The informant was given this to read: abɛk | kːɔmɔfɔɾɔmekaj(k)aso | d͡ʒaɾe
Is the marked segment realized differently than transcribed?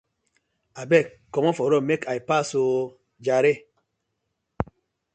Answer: yes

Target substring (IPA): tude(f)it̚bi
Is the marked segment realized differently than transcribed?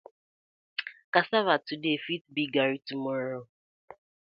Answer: no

